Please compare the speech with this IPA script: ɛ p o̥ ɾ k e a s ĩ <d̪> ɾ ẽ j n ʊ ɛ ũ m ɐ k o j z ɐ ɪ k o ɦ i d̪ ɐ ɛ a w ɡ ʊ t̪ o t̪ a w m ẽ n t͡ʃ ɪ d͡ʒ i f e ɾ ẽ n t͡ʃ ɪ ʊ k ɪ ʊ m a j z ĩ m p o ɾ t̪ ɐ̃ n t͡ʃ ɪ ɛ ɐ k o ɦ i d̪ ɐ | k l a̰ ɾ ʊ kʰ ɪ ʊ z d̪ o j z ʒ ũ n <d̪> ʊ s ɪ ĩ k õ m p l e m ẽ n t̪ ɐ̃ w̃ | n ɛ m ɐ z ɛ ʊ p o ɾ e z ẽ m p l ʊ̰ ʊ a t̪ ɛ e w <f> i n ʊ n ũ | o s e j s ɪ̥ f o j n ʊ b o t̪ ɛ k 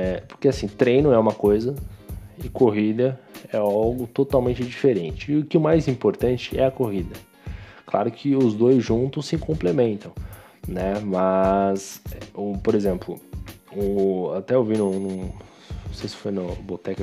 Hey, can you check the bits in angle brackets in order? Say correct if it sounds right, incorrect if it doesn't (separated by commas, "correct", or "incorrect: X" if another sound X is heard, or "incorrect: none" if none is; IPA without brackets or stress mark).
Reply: incorrect: t̪, incorrect: t̪, incorrect: v